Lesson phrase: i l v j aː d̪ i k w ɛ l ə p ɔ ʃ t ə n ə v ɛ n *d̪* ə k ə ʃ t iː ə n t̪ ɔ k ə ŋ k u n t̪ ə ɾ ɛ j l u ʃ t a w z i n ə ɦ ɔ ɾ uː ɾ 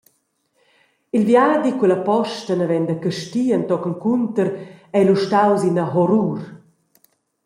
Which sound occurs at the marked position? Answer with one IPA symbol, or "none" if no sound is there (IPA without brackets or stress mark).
d̪